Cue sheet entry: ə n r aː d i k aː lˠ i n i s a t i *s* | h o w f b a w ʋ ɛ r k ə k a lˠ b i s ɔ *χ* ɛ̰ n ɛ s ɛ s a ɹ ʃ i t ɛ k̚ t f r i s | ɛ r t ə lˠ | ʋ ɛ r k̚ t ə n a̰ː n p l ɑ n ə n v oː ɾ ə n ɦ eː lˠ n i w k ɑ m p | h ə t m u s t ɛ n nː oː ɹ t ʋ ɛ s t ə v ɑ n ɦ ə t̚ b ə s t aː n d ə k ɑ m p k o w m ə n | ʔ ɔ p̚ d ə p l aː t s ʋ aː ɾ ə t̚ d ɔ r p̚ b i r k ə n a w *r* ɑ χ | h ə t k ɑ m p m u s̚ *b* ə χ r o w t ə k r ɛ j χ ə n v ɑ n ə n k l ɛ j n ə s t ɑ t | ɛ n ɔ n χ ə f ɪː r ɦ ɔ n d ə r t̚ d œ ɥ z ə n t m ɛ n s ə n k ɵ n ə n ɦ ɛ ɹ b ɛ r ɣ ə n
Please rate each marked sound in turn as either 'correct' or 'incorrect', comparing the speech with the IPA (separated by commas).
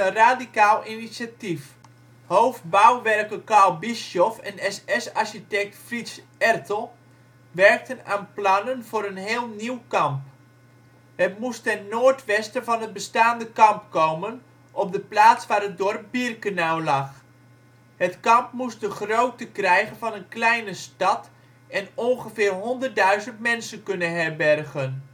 incorrect, incorrect, incorrect, incorrect